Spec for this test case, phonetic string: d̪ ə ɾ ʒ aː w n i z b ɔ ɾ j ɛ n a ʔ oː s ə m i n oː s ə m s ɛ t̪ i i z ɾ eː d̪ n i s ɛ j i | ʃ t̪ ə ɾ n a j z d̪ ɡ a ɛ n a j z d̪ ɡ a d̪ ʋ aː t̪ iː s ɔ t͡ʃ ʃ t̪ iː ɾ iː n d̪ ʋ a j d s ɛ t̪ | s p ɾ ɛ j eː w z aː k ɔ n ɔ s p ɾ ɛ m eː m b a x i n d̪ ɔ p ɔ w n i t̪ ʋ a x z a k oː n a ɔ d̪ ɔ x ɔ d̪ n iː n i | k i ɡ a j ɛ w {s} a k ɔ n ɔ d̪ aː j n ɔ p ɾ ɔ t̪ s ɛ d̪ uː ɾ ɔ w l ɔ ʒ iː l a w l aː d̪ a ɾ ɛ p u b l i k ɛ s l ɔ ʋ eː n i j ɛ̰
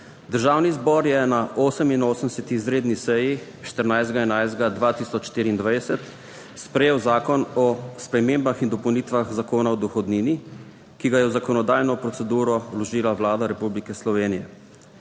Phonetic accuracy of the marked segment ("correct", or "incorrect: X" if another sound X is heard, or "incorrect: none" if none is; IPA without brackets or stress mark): incorrect: z